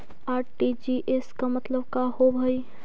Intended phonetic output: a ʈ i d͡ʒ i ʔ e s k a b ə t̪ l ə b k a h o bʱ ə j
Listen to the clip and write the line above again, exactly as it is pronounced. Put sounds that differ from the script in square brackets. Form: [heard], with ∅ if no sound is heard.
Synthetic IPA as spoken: a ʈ i d͡ʒ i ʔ e s k a [m] ə t̪ l ə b k a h o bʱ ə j